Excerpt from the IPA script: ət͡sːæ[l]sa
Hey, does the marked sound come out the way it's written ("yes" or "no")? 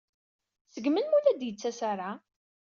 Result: no